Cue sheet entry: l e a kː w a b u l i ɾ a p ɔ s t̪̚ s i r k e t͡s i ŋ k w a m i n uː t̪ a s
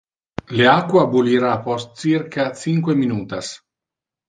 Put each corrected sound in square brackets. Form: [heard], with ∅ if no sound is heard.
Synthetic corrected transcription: l e a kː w a b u l i ɾ a p ɔ s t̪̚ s i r k [a] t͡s i ŋ k w [e] m i n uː t̪ a s